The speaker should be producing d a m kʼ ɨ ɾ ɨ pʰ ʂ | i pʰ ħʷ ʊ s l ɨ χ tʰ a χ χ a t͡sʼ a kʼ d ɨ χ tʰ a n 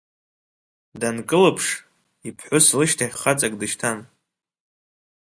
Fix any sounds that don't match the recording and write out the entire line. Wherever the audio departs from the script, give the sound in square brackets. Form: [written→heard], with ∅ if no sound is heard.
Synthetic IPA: d a [m→n] kʼ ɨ [ɾ→l] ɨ pʰ ʂ | i pʰ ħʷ ʊ s l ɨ [χ→ʃ] tʰ a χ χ a t͡sʼ a kʼ d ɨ [χ→ʃ] tʰ a n